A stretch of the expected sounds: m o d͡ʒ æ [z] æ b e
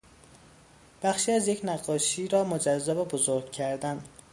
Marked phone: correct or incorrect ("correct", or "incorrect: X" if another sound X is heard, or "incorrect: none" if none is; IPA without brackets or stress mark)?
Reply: incorrect: zː